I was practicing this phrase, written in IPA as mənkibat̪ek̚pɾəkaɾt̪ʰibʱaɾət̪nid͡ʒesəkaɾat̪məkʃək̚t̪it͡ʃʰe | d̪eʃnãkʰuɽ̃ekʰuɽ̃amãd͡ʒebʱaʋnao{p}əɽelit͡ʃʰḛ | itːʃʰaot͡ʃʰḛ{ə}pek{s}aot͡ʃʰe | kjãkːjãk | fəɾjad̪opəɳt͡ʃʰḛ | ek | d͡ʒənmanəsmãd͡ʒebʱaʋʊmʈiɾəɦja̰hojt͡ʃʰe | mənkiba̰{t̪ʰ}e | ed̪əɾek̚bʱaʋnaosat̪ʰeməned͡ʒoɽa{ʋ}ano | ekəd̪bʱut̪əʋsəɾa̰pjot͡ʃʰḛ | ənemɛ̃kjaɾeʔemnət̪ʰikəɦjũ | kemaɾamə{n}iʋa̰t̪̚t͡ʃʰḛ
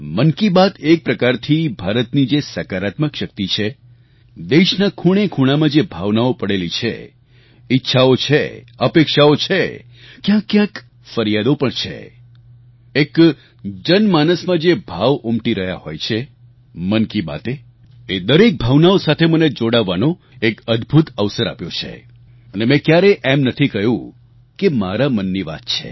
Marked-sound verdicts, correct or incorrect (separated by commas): correct, correct, incorrect, incorrect, incorrect, incorrect